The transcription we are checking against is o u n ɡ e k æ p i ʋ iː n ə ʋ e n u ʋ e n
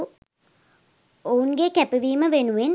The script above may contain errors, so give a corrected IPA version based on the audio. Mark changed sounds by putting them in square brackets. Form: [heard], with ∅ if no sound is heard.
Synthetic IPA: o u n ɡ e k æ p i ʋ iː [m] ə ʋ e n u ʋ e n

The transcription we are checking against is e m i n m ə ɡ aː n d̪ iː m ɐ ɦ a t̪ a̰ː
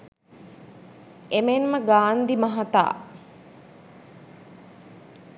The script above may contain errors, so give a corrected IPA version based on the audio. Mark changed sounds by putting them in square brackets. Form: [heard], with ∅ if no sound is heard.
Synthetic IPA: e m [e] n m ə ɡ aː n d̪ [i] m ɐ ɦ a t̪ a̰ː

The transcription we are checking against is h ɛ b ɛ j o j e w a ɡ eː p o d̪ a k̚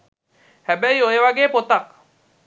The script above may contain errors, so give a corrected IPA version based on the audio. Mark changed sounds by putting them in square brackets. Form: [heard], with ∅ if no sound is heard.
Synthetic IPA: h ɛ b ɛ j o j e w a ɡ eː p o [t̪] a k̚

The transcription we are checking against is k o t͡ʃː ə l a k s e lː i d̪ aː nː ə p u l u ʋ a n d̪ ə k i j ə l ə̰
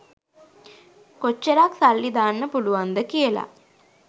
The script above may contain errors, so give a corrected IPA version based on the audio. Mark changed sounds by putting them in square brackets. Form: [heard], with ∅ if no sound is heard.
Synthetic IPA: k o t͡ʃː ə [ɾ] a k s [a] lː i d̪ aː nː ə p u l u ʋ a n d̪ ə k i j ə l [a̰]

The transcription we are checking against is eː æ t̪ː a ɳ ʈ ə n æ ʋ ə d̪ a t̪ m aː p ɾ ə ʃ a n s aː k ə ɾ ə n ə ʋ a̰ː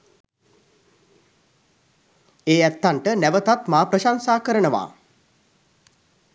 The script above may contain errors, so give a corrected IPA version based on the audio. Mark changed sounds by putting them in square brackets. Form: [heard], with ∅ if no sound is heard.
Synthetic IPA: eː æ t̪ː a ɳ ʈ ə n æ ʋ ə [t̪] a t̪ m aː p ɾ ə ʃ a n s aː k ə ɾ ə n ə ʋ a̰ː

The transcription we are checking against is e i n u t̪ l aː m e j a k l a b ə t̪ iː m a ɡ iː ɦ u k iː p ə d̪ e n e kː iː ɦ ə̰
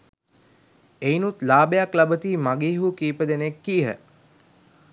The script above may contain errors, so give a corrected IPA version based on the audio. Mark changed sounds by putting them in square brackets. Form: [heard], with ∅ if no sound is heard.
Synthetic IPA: e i n u t̪ l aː [b] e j a k l a b ə t̪ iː m a ɡ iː ɦ u k iː p ə d̪ e n e kː iː ɦ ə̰

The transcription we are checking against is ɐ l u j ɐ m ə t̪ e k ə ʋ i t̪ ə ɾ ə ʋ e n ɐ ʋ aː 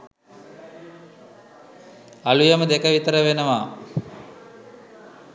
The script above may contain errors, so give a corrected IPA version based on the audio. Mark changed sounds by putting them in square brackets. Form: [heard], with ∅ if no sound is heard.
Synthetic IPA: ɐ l u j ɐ m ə [d̪] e k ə ʋ i t̪ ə ɾ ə ʋ e n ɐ ʋ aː

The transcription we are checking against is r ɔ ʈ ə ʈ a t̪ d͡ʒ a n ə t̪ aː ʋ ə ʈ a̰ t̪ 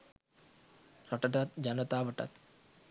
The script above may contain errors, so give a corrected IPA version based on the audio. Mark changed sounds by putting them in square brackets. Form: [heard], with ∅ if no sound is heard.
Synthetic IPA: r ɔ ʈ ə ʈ a t̪ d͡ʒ a n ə t̪ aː ʋ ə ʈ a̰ t̪

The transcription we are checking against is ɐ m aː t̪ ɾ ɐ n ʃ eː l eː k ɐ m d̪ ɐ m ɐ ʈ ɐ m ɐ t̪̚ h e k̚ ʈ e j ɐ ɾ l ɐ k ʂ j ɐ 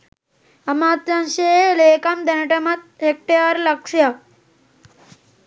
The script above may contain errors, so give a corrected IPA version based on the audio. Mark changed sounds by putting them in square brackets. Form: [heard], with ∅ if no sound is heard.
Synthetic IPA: ɐ m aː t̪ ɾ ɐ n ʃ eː l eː k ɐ m d̪ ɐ [n] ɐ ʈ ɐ m ɐ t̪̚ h e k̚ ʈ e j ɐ ɾ l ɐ k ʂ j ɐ

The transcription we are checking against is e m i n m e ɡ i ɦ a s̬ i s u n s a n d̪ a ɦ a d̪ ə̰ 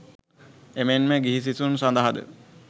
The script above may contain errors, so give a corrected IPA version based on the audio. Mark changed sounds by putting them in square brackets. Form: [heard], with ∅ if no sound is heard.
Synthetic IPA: e m [e] n m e ɡ i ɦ [i] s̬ i s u n s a n d̪ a ɦ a d̪ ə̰

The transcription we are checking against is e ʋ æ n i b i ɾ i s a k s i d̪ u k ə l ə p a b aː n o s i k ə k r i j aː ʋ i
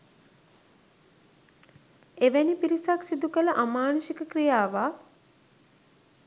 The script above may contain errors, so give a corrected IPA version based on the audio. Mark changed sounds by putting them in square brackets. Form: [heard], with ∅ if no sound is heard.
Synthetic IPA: e ʋ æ n i [p] i ɾ i s a k s i d̪ u k ə l ə [ʔ] a [m] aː n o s i k ə k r i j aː ʋ [a]

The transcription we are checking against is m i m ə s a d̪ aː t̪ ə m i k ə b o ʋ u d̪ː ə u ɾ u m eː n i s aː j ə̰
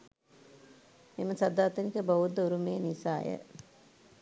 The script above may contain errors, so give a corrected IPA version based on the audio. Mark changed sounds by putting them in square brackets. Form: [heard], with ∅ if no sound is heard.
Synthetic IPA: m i m ə s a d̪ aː t̪ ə [n] i k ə b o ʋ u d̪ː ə u ɾ u m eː n i s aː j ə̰

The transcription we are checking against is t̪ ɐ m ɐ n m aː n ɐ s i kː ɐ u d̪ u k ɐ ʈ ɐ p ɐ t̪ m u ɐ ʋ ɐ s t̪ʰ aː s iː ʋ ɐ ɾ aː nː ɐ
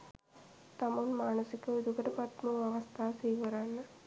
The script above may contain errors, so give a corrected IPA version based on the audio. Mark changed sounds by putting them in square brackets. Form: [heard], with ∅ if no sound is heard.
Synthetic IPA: t̪ ɐ m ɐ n m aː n ɐ s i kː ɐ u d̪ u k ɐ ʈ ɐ p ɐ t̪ m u ɐ ʋ ɐ s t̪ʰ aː s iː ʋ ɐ ɾ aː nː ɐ

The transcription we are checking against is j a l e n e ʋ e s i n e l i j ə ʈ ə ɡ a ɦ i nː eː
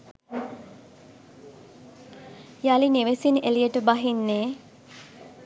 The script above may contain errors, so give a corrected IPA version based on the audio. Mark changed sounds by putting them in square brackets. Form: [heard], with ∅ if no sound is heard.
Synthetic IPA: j a l [i] n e ʋ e s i n e l i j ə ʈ ə [b] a ɦ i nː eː

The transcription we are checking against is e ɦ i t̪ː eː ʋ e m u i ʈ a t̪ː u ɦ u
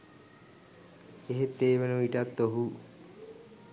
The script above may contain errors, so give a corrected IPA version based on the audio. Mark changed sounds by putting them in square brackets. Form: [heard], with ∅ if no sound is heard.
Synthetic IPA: e ɦ [e] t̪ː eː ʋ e [n] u i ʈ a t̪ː [o] ɦ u

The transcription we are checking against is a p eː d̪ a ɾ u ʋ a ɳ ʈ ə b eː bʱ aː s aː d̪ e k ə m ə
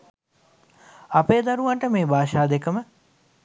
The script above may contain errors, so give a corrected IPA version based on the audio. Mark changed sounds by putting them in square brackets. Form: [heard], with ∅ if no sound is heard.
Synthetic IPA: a p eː d̪ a ɾ u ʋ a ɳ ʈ ə [m] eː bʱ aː [ʃ] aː d̪ e k ə m ə

